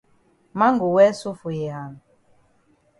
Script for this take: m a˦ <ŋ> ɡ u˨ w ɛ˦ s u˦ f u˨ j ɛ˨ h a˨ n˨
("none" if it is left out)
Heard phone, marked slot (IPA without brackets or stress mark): ŋ